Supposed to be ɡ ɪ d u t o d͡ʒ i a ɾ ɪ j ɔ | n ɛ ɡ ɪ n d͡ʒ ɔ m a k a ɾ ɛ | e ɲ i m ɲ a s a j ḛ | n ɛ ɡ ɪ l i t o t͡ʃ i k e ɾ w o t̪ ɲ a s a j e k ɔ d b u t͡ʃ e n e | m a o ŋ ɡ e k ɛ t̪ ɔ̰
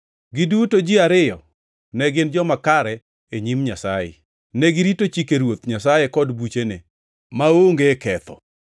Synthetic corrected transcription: ɡ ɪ d u t o d͡ʒ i a ɾ ɪ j ɔ | n ɛ ɡ ɪ n d͡ʒ ɔ m a k a ɾ ɛ | e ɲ i m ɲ a s a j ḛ | n ɛ ɡ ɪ ɾ i t o t͡ʃ i k e ɾ w o t̪ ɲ a s a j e k ɔ d b u t͡ʃ e n e | m a o ŋ ɡ e k ɛ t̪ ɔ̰

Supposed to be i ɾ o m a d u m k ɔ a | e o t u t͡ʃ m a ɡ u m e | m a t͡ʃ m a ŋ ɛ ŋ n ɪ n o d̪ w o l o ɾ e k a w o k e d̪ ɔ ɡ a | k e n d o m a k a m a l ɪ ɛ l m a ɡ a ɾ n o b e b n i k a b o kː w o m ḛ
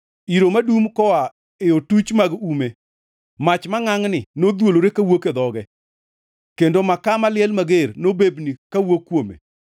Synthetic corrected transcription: i ɾ o m a d u m k ɔ a | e o t u t͡ʃ m a ɡ u m e | m a t͡ʃ m a ŋ a ŋ n ɪ n o d̪ w o l o ɾ e k a w o k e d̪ ɔ ɡ ɛ | k e n d o m a k a m a l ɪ ɛ l m a ɡ e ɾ n o b e b n i k a w o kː w o m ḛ

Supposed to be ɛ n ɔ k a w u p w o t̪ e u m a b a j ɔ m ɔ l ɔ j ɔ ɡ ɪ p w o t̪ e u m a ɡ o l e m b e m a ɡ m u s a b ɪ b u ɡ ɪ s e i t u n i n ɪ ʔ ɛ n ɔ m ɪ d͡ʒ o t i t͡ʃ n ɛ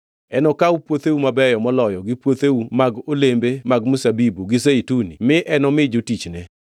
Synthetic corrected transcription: ɛ n ɔ k a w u p w o t̪ e u m a b ɛ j ɔ m ɔ l ɔ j ɔ ɡ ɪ p w o t̪ e u m a ɡ o l e m b e m a ɡ m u s a b i b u ɡ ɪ s e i t u n i m ɪ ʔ ɛ n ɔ m ɪ d͡ʒ o t i t͡ʃ n ɛ

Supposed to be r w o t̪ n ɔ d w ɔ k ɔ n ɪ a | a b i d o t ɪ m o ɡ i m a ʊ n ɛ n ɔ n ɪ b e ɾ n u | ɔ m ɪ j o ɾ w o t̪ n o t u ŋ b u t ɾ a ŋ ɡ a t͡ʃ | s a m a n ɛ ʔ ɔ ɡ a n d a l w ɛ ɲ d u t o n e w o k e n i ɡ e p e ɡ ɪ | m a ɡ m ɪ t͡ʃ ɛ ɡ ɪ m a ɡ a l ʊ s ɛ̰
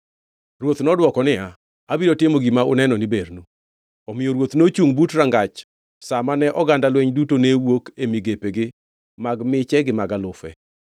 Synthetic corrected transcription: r w o t̪ n ɔ d w ɔ k ɔ n ɪ a | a b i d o t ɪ m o ɡ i m a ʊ n ɛ n ɔ n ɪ b e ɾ n u | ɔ m ɪ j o ɾ w o t̪ n o t͡ʃ u ŋ b u t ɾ a ŋ ɡ a t͡ʃ | s a m a n ɛ ʔ ɔ ɡ a n d a l w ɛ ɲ d u t o n e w o k e m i ɡ e p e ɡ ɪ | m a ɡ m ɪ t͡ʃ ɛ ɡ ɪ m a ɡ a l ʊ f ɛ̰

